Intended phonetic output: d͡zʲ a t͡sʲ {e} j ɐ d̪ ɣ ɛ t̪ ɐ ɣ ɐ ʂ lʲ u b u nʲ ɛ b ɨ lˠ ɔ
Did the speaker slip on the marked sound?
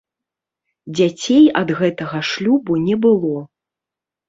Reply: no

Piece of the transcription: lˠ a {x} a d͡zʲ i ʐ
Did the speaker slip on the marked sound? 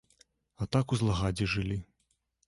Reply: yes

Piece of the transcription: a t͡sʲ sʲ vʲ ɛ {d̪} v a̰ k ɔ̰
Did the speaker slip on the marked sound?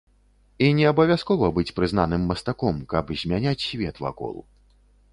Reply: yes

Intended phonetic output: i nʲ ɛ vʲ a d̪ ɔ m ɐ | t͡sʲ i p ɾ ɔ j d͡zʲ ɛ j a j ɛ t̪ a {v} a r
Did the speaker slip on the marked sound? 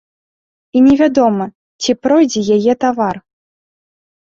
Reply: no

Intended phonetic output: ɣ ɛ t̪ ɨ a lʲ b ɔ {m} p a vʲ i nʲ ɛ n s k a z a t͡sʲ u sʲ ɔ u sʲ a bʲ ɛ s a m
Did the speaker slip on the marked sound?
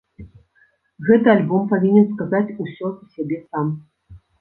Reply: no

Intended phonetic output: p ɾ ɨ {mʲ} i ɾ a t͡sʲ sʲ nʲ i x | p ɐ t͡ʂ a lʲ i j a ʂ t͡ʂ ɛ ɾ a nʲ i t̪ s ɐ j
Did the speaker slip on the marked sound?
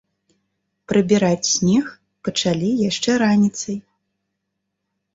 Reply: yes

